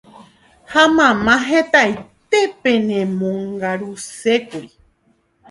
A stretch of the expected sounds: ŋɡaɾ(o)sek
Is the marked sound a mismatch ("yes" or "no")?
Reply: yes